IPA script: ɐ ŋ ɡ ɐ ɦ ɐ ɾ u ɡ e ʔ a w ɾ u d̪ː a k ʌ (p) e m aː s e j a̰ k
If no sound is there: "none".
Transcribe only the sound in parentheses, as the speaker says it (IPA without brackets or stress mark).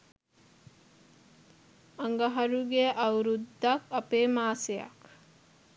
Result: p